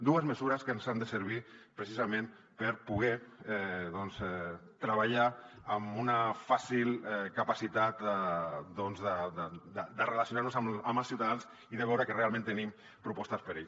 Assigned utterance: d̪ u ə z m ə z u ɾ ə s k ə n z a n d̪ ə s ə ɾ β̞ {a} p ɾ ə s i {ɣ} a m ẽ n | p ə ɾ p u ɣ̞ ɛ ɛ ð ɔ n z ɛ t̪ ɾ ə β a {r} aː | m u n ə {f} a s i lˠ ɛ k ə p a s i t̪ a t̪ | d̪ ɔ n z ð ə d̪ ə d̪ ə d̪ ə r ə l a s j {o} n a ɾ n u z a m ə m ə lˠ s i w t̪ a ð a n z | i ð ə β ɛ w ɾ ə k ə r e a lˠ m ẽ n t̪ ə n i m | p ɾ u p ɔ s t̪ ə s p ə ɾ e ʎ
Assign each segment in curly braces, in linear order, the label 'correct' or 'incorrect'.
incorrect: i, incorrect: z, incorrect: ʎ, correct, incorrect: u

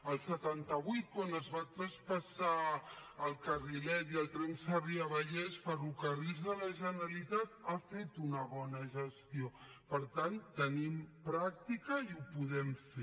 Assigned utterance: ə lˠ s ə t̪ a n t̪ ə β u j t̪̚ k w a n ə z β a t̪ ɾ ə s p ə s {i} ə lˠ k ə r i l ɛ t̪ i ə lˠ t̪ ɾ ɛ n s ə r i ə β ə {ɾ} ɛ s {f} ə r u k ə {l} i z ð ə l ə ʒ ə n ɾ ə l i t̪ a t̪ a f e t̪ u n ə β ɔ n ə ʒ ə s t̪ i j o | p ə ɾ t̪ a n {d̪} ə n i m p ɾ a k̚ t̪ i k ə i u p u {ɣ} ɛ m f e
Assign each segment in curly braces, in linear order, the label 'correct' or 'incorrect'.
incorrect: a, incorrect: ʎ, correct, incorrect: r, incorrect: t̪, incorrect: ð

